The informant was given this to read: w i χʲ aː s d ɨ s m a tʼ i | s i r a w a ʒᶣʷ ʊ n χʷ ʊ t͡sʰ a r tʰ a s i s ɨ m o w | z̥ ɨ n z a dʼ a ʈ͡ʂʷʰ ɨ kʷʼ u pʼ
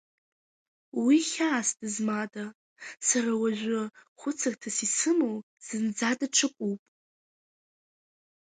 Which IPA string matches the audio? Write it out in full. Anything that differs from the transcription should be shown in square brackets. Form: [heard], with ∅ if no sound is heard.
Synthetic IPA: w i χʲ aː s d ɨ [z] m a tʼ [a] | s [a] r a w a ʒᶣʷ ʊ [∅] χʷ ʊ t͡sʰ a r tʰ a s i s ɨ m o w | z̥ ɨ n [d͡z] a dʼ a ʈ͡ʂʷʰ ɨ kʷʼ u pʼ